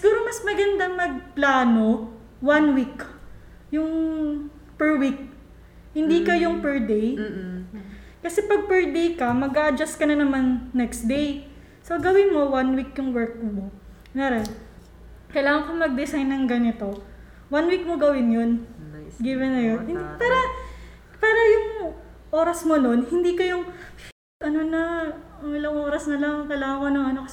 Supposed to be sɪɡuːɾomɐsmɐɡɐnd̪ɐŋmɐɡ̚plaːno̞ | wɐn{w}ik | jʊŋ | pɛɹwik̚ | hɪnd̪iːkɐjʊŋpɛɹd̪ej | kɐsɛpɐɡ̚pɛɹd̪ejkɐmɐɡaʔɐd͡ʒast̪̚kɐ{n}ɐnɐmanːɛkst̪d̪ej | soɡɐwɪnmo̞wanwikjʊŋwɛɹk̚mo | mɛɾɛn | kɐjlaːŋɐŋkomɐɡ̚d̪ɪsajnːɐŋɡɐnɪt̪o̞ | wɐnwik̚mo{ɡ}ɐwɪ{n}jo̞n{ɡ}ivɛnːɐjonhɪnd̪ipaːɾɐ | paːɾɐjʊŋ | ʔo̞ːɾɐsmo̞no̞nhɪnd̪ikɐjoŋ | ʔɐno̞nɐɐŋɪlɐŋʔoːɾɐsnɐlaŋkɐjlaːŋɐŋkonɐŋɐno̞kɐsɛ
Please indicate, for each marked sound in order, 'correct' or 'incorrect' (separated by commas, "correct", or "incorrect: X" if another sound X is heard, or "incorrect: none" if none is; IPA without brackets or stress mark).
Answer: correct, correct, correct, correct, correct